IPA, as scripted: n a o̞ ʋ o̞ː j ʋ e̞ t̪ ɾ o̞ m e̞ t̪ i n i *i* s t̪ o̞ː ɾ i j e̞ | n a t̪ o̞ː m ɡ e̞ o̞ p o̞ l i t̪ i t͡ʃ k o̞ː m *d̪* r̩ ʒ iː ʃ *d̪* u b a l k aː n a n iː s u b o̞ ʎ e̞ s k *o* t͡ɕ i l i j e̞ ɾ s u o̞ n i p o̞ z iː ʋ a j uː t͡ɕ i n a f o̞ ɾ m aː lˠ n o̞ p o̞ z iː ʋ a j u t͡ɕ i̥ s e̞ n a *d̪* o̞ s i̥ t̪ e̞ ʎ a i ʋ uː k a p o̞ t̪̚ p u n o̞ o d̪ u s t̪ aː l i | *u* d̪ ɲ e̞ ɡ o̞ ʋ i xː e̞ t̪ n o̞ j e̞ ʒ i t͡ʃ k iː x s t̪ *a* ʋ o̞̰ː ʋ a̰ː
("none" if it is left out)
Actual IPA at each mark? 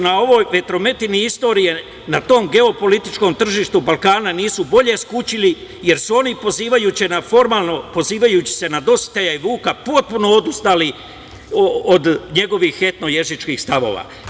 i, t̪, t̪, u, d̪, o, a

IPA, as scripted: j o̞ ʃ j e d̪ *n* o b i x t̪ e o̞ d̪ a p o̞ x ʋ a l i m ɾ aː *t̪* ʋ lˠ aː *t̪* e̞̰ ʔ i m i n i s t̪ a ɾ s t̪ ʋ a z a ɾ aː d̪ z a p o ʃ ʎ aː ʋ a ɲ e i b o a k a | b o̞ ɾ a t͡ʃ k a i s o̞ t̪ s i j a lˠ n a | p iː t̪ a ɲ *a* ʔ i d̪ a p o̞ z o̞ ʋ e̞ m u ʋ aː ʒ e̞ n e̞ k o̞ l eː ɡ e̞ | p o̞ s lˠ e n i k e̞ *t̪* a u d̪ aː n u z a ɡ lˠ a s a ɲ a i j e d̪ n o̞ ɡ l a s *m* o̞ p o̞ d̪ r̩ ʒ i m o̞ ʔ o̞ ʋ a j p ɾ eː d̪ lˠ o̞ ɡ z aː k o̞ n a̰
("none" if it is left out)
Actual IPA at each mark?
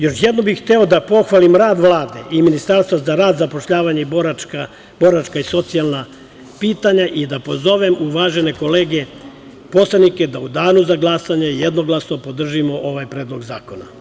n, d̪, d̪, a, d̪, n

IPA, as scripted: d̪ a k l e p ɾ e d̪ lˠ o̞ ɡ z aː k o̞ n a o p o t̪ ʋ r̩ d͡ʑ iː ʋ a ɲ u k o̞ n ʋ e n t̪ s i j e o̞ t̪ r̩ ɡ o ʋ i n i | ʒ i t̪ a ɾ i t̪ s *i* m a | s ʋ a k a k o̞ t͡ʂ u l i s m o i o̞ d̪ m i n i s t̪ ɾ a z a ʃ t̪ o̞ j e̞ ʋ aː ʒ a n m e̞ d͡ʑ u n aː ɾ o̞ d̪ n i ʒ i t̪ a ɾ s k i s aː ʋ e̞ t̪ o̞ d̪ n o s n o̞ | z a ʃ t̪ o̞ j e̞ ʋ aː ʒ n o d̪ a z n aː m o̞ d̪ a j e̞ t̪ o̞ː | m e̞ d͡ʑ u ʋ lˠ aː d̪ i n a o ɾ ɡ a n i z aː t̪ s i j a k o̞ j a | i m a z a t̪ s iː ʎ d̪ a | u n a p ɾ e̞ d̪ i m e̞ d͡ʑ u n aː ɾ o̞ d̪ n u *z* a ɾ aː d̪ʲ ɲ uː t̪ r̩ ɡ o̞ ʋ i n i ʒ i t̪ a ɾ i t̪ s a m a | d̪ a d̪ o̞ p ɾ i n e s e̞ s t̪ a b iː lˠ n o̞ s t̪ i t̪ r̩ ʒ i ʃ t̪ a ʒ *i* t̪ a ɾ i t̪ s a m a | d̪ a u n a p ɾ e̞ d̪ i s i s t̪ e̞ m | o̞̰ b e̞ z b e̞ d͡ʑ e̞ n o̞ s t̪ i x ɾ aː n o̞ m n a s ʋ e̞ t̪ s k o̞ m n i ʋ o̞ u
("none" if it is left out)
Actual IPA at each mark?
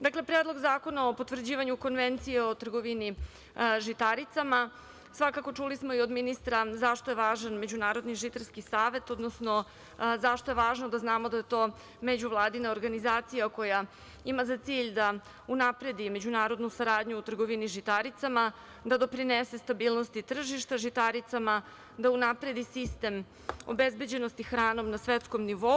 a, s, i

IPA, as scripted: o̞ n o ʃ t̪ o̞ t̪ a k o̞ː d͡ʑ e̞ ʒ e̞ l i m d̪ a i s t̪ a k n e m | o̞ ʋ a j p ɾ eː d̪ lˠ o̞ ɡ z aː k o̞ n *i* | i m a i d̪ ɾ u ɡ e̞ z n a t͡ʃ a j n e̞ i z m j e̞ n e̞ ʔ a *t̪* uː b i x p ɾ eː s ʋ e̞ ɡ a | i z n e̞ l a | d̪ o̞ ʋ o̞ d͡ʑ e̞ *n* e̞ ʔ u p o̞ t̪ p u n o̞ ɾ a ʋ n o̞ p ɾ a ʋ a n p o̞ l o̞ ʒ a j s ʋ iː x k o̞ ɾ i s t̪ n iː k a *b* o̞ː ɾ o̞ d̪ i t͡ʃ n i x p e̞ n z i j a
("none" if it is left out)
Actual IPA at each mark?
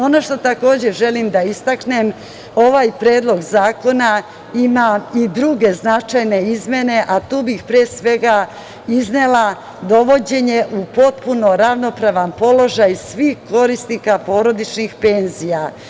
a, t̪, ɲ, p

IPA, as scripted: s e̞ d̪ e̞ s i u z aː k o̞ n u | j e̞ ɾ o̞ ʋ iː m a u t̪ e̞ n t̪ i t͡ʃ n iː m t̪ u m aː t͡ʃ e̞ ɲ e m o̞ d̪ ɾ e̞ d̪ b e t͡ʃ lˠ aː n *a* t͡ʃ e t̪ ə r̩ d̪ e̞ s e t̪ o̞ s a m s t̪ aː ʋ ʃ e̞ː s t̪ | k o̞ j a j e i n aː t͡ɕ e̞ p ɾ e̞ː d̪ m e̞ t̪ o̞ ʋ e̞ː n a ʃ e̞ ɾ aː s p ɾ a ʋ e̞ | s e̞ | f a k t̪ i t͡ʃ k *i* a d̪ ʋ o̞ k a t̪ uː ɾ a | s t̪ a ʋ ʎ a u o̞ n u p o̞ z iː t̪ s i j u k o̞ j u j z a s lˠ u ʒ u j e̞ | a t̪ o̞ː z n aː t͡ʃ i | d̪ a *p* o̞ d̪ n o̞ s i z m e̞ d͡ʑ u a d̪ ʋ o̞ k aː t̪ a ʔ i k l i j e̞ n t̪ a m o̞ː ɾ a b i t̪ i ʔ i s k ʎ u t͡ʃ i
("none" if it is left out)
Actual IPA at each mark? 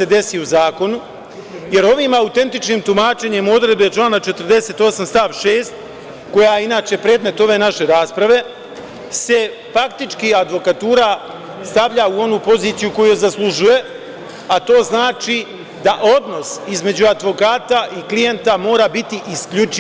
a, i, ʔ

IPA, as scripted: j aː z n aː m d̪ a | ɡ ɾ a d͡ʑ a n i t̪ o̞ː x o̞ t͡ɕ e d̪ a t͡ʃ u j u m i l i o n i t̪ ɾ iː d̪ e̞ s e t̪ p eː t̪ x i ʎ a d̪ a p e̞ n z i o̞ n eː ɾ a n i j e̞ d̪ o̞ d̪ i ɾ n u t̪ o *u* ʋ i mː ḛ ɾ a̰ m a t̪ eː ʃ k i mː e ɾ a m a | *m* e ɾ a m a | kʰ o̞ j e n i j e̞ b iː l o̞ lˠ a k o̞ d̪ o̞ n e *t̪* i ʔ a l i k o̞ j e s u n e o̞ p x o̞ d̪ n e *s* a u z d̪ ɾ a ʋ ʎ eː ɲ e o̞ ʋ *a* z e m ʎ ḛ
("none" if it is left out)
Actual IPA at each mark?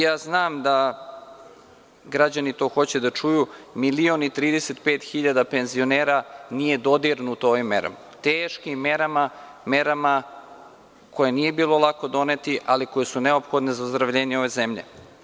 o, m, t̪, z, e

